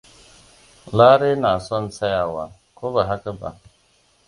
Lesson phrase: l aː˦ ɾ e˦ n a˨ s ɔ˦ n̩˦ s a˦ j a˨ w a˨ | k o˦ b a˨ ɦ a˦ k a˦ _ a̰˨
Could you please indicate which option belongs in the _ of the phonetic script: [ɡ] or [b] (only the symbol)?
b